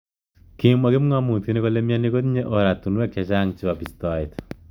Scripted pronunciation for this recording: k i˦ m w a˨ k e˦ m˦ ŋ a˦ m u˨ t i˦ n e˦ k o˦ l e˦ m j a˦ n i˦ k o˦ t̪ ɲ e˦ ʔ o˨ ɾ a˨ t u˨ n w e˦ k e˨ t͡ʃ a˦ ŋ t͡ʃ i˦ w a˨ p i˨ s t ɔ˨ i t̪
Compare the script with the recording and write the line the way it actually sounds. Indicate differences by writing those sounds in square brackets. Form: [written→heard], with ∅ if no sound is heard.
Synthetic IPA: k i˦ m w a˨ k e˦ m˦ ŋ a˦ m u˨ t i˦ n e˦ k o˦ l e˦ m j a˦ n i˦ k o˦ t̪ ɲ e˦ ʔ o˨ ɾ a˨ t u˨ n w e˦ k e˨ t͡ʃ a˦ ŋ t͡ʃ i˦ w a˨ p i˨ s t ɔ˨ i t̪